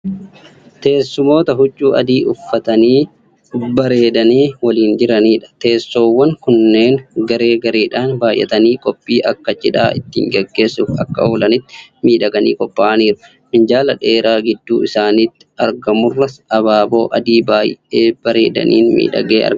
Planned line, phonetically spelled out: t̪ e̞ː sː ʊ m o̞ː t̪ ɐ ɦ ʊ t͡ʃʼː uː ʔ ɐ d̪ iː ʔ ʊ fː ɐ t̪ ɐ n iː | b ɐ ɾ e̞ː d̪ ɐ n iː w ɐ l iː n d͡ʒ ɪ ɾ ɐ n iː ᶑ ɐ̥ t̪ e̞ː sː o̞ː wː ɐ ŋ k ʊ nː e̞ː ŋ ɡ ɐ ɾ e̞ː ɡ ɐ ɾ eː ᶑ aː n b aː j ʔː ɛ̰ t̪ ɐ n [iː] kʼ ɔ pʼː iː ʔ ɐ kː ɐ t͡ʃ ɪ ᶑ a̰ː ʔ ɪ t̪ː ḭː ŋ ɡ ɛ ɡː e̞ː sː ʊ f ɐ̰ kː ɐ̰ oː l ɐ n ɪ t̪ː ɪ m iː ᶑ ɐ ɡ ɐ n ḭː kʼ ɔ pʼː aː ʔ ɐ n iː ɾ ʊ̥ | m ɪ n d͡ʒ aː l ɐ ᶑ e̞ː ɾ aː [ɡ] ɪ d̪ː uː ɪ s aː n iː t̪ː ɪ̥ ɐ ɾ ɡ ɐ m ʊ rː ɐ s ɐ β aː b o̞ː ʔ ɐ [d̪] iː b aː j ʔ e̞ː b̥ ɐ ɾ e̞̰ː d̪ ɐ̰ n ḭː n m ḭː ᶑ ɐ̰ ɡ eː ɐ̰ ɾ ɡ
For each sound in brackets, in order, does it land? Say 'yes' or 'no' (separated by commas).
yes, yes, yes